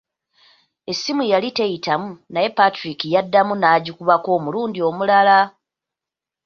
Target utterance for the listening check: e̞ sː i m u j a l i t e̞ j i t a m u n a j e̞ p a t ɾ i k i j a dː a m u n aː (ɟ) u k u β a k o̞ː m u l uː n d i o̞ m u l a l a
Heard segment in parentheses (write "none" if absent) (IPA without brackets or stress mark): ɟ